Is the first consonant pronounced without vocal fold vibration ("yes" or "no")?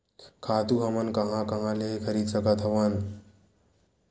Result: yes